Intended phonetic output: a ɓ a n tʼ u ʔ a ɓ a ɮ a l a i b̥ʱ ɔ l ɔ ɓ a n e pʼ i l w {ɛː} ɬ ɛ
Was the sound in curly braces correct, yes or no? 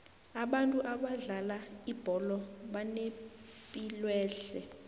yes